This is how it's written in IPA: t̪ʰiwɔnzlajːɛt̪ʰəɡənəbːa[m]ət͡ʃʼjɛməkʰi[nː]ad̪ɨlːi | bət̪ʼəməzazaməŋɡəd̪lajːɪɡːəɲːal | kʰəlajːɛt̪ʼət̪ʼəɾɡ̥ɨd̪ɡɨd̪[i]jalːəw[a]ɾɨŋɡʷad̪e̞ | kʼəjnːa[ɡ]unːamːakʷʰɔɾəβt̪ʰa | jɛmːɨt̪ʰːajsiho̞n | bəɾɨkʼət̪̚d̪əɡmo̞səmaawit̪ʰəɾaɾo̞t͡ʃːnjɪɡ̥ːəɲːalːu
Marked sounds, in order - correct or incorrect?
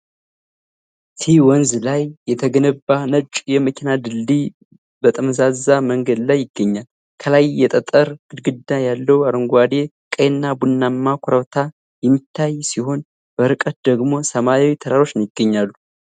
incorrect, incorrect, incorrect, correct, incorrect

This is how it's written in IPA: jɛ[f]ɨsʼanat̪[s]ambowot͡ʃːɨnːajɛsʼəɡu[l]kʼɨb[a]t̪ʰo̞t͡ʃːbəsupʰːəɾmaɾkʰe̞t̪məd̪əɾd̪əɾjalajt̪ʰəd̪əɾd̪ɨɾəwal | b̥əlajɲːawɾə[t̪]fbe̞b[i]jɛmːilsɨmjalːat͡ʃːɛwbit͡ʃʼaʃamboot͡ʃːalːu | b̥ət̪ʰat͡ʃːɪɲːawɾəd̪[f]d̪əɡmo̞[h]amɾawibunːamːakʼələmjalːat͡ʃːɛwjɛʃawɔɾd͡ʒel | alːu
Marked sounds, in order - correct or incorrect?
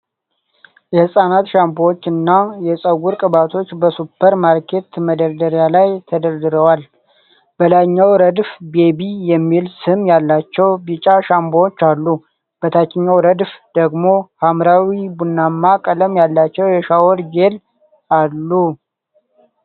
incorrect, incorrect, incorrect, correct, incorrect, correct, correct, correct

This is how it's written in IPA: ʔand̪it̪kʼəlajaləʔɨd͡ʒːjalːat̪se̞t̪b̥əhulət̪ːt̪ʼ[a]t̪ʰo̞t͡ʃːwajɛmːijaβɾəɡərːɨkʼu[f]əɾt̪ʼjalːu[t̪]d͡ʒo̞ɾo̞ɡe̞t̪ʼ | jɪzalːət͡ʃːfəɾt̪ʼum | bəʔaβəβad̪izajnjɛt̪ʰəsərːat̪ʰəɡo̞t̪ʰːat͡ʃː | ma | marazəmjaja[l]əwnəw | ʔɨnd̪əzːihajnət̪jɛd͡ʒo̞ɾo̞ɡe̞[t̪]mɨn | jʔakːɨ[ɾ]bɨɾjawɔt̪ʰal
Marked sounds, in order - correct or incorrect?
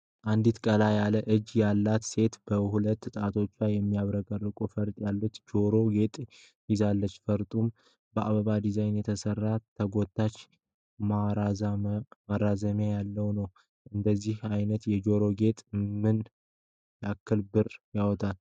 correct, correct, correct, incorrect, incorrect, incorrect

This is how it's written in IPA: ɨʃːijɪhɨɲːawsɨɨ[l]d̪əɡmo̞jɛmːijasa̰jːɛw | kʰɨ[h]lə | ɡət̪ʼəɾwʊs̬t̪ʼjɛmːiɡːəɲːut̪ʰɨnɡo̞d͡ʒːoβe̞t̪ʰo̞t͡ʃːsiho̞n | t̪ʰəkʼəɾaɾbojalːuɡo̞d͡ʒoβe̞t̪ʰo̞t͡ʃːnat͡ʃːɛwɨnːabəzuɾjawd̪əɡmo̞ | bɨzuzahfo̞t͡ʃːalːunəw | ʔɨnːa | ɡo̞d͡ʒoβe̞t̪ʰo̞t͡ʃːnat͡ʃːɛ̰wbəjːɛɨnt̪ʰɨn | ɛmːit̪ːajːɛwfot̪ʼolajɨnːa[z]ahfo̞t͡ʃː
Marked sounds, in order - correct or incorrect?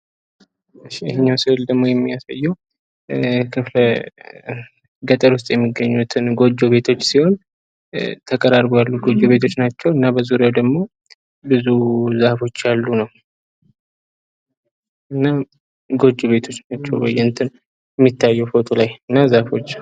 correct, incorrect, correct

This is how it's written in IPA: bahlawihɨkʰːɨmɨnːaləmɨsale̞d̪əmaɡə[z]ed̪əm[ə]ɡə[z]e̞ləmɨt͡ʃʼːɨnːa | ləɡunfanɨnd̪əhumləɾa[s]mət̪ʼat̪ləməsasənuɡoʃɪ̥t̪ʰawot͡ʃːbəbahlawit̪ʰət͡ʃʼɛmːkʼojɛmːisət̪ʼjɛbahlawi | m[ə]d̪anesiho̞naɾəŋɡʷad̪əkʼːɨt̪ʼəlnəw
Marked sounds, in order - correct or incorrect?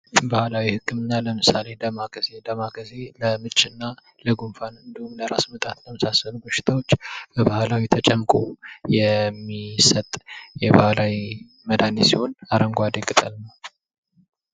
correct, incorrect, correct, correct, correct

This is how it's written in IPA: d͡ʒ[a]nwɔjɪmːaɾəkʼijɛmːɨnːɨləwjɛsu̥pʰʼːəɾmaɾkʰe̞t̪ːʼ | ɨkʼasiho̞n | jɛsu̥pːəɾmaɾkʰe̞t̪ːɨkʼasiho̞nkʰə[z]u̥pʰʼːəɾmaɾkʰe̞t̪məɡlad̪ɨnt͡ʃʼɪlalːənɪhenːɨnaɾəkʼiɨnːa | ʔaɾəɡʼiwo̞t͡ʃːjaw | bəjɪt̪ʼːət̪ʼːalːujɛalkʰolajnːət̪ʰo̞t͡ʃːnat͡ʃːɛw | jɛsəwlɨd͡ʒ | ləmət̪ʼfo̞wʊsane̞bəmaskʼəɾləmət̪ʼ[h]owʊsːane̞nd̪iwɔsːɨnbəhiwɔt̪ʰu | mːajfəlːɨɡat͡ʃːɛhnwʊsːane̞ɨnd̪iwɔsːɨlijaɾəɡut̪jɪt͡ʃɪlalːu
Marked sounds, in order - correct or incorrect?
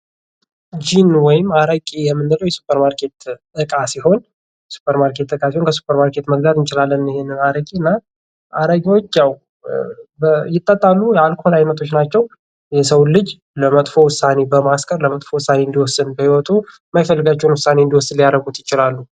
incorrect, incorrect, incorrect

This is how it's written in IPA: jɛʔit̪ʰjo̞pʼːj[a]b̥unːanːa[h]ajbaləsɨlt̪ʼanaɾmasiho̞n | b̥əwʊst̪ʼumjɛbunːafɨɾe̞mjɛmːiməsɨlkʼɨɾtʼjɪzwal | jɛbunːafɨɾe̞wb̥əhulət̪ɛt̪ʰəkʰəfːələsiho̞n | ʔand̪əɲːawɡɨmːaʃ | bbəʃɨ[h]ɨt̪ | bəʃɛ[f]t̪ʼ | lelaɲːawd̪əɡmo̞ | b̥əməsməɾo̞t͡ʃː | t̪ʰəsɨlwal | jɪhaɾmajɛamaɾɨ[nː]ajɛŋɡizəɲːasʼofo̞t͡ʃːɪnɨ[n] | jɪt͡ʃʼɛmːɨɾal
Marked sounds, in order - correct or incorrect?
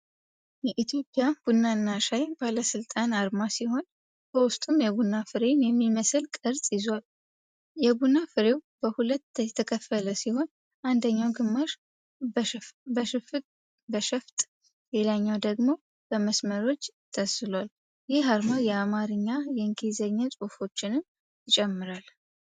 correct, incorrect, incorrect, correct, incorrect, incorrect

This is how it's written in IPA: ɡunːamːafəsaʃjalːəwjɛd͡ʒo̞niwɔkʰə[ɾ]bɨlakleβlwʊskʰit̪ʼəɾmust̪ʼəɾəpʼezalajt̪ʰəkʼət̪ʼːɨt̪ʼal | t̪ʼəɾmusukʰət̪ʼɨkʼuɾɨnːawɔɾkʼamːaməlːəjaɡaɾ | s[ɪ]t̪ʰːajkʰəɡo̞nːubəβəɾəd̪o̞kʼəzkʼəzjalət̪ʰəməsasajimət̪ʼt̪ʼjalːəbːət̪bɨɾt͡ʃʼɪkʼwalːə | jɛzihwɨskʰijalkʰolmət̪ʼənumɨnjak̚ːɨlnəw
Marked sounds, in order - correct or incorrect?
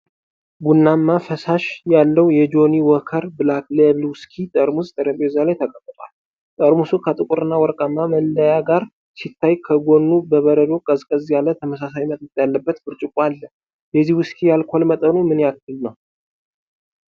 correct, incorrect

